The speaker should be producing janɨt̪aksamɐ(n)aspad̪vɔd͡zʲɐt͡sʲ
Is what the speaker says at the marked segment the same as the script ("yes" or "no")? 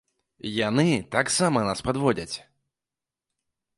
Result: yes